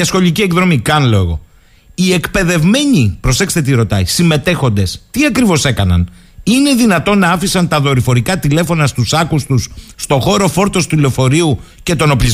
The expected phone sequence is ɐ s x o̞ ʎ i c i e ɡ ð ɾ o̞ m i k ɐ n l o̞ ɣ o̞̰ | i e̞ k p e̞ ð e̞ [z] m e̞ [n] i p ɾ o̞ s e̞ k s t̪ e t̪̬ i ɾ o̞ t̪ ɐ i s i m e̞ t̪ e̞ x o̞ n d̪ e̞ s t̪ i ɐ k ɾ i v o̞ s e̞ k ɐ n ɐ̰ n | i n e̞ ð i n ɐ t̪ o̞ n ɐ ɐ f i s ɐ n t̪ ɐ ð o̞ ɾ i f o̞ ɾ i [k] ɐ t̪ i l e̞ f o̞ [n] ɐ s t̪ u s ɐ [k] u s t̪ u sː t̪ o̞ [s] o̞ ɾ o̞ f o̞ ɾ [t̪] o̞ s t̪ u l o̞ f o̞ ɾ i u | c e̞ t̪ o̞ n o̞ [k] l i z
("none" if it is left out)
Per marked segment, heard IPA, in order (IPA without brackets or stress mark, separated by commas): v, ɲ, k, n, k, x, t̪, p